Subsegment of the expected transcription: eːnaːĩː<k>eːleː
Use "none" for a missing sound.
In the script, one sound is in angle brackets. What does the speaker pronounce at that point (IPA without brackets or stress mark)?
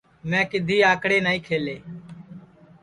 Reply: kʰ